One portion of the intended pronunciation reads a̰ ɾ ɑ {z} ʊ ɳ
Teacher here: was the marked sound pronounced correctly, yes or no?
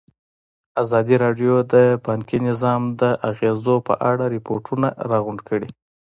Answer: no